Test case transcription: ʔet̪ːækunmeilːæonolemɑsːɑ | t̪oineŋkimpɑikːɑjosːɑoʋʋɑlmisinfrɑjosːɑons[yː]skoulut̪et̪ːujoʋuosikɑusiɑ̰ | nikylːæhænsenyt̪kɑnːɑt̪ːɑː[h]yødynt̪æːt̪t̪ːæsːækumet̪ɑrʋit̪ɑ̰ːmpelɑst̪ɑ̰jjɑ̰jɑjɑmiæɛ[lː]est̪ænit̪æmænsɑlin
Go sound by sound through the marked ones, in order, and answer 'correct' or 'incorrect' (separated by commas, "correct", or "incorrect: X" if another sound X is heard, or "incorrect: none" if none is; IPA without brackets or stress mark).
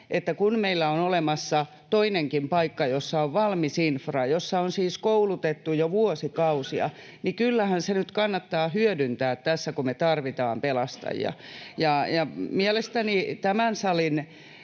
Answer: incorrect: iː, correct, incorrect: l